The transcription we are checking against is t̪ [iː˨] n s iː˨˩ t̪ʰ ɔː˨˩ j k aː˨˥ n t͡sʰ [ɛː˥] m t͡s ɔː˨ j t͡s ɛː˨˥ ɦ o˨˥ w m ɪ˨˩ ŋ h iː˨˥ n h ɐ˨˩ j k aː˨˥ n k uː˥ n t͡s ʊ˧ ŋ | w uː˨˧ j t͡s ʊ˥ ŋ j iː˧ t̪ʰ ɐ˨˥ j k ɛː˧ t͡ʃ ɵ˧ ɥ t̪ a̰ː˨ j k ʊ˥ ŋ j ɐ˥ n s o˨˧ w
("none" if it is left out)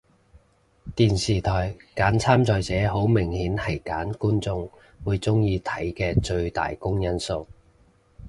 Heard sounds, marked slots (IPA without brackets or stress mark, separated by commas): iː˨, aː˥